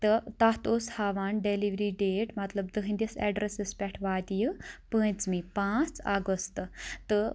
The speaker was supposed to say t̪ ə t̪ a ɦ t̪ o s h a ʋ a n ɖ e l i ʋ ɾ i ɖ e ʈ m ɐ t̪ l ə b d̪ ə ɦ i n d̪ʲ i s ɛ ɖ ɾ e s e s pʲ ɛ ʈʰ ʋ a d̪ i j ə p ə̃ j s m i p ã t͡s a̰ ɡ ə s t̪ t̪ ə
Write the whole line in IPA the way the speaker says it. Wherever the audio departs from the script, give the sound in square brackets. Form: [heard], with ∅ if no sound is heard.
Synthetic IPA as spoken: t̪ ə t̪ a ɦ t̪ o s h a ʋ a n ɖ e l i ʋ ɾ i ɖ e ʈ m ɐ t̪ l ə b d̪ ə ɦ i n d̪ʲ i s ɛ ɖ ɾ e s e s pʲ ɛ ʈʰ ʋ a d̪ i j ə p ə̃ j [t͡s] m i p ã t͡s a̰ ɡ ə s t̪ t̪ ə